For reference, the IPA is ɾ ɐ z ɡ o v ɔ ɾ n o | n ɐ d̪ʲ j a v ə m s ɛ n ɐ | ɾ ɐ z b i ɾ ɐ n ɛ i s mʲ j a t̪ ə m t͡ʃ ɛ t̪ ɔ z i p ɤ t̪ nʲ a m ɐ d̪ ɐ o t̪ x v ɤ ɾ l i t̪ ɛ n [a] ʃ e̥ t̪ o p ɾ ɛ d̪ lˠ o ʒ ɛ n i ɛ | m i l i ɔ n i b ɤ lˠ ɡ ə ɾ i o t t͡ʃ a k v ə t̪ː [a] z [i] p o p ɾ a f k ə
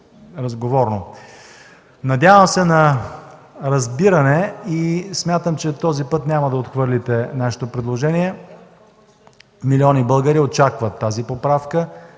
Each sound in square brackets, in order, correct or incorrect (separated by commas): correct, correct, correct